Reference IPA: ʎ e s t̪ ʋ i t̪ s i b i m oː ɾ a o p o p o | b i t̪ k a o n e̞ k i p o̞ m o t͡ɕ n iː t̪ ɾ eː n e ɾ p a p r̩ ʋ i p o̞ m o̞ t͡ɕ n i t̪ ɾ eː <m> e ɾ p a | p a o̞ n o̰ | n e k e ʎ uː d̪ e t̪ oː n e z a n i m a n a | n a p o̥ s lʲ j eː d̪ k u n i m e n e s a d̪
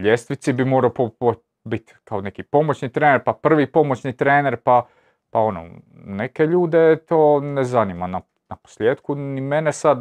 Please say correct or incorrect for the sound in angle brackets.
incorrect